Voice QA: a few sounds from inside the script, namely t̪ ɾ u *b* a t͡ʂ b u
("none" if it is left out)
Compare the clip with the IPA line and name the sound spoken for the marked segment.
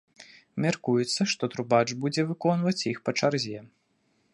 b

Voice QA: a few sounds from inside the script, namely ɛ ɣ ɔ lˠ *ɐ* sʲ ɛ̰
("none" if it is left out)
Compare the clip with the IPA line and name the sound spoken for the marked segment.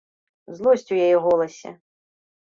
ɐ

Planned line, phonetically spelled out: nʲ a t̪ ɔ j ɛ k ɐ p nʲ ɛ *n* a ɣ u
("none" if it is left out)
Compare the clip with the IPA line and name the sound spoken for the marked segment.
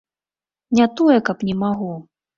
m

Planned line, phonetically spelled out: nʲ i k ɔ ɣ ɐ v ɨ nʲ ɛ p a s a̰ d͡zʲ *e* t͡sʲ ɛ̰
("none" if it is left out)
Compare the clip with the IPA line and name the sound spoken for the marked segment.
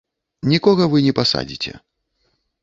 i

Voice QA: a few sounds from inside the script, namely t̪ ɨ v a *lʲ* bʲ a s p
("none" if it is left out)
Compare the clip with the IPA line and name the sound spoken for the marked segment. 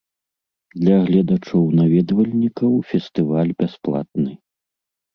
lʲ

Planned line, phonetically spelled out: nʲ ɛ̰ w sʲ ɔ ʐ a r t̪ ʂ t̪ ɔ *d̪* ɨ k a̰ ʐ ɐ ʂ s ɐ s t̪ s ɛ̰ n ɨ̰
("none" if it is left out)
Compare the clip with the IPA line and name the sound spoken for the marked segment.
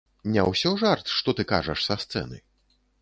t̪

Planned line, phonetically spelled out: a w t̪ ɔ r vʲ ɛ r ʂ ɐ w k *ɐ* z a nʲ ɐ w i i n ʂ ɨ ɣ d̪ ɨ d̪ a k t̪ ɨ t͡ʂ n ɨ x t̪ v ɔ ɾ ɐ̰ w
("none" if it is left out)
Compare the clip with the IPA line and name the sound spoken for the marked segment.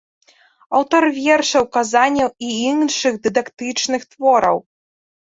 a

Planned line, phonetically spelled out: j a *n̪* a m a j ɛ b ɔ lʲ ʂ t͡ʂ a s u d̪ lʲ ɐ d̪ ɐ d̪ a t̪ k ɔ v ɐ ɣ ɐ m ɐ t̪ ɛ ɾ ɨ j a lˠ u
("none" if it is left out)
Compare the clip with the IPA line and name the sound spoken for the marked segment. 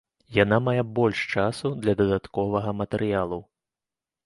n̪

